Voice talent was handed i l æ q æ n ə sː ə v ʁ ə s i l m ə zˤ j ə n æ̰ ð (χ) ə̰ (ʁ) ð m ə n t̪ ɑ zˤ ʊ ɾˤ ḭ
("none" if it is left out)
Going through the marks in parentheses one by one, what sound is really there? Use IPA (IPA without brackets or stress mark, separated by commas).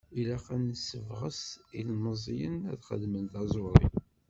χ, none